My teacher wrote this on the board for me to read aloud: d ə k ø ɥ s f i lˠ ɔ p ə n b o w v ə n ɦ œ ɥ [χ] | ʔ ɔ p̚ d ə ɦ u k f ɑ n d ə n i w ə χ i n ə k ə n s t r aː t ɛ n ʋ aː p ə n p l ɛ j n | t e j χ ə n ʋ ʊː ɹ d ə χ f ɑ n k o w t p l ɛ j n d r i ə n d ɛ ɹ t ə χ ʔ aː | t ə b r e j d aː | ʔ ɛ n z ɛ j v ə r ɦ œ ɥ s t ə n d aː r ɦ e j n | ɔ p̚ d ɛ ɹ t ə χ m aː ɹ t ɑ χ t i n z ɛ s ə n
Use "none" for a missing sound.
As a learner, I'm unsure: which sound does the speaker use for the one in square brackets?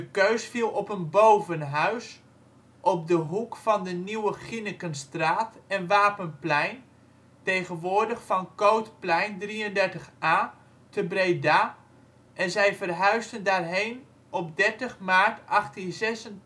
s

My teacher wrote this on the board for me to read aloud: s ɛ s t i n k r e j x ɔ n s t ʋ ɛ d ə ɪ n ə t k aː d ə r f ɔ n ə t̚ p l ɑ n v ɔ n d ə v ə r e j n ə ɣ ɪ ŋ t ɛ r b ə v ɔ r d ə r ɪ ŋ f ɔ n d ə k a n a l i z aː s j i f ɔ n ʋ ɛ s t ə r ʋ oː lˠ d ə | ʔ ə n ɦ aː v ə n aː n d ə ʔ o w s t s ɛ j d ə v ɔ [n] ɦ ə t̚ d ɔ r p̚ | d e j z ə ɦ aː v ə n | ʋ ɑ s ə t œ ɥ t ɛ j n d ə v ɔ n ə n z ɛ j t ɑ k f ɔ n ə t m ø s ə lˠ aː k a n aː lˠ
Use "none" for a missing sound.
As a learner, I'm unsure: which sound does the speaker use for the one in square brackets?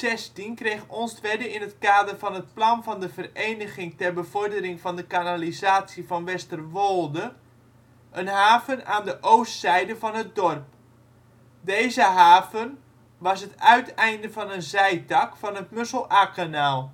n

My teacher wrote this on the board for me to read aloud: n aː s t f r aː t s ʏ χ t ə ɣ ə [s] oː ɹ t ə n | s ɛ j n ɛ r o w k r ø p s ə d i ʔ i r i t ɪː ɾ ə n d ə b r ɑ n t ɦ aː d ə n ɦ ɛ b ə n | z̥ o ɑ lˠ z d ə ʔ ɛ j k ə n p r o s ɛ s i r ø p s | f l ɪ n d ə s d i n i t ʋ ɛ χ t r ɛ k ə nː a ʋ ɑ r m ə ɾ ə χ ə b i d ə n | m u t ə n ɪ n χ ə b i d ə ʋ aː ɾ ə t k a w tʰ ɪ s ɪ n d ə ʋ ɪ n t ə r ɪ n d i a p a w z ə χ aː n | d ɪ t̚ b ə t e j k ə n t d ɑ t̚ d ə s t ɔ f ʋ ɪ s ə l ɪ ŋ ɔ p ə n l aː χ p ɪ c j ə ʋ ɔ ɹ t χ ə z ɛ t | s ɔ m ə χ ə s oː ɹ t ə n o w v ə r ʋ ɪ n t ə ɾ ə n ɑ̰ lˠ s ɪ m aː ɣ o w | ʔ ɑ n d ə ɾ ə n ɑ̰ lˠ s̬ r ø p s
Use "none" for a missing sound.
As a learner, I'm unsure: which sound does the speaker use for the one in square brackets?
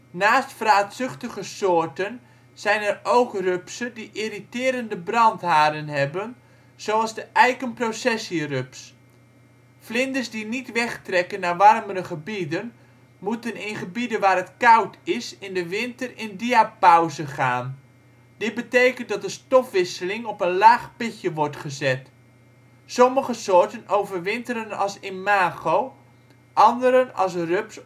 s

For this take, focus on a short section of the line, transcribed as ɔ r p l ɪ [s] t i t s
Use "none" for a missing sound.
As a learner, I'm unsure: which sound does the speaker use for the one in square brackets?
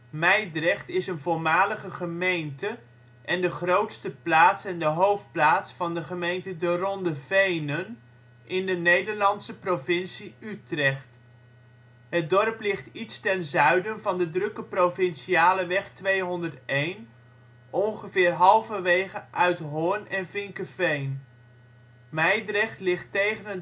χ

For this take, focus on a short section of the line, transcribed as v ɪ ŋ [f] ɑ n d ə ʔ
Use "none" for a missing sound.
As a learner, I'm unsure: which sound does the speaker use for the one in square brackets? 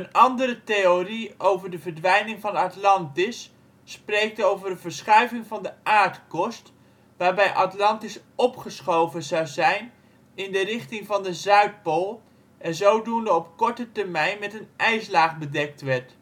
v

